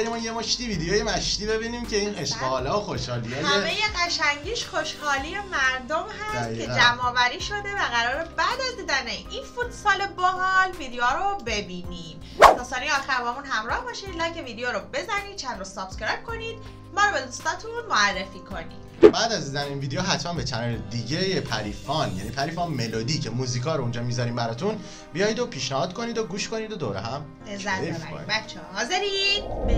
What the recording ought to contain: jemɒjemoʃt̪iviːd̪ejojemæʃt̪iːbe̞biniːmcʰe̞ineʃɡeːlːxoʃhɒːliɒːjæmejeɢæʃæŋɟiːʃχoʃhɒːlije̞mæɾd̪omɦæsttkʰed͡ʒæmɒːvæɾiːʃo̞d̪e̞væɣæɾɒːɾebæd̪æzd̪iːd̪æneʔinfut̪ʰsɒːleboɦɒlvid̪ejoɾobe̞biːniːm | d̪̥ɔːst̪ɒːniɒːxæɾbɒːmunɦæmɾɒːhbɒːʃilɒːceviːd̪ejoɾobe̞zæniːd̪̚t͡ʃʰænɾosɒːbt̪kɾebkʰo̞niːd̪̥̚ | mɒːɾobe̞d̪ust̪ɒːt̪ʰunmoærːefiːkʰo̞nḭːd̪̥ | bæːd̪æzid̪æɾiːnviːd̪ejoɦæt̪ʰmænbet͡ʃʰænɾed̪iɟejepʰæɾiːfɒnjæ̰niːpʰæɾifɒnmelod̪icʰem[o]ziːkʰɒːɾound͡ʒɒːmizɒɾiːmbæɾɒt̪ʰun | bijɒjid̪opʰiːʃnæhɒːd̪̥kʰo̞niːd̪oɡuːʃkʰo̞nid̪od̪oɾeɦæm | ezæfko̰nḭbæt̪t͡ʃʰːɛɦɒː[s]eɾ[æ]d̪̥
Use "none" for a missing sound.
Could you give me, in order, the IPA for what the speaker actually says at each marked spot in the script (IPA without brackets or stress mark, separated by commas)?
u, z, i